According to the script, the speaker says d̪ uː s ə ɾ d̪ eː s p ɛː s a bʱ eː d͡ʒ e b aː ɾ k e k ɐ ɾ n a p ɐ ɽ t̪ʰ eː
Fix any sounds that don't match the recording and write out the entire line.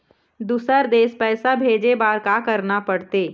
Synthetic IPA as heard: d̪ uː s ə ɾ d̪ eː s p ɛː s a bʱ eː d͡ʒ e b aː ɾ k a k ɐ ɾ n a p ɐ ɽ t̪ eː